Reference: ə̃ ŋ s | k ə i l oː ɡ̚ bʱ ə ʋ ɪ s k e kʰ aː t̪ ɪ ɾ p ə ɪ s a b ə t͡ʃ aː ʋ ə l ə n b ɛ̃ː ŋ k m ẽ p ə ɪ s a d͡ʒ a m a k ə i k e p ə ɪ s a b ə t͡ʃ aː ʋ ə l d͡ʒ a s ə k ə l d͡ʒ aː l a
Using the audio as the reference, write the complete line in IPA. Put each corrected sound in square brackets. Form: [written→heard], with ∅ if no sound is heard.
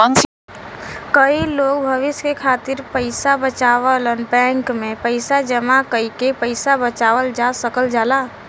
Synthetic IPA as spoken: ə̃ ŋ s | k ə i l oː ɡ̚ bʱ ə ʋ ɪ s k e kʰ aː t̪ ɪ ɾ p ə ɪ s a b ə t͡ʃ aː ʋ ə l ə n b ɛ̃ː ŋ k m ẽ p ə ɪ s a d͡ʒ [a→ə] m a k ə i k e p ə ɪ s a b ə t͡ʃ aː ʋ ə l d͡ʒ a s ə k ə l d͡ʒ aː l a